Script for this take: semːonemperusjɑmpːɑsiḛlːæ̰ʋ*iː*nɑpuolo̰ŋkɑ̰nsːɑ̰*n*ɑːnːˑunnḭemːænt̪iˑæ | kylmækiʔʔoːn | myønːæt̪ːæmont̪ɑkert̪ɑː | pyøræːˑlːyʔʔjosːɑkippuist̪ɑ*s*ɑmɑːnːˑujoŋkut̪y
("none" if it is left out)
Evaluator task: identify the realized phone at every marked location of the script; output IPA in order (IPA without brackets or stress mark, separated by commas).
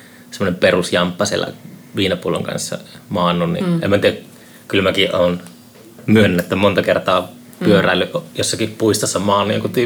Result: iː, m, sː